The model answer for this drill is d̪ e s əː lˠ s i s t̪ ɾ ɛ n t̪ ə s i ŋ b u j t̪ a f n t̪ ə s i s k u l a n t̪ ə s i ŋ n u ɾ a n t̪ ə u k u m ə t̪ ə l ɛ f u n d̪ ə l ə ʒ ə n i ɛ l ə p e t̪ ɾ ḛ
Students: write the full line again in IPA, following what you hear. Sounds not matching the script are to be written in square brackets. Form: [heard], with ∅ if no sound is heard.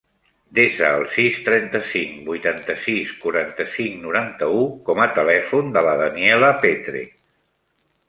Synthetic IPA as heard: d̪ e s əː lˠ s i s t̪ ɾ ɛ n t̪ ə s i ŋ b u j t̪ a [∅] n t̪ ə s i s k u [ɾ] a n t̪ ə s i ŋ n u ɾ a n t̪ ə u k [ɔ] m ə t̪ ə l ɛ f u n d̪ ə l ə [ð] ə n i ɛ l ə p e t̪ ɾ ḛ